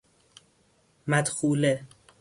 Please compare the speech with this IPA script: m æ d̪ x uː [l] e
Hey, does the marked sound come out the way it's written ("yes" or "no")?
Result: yes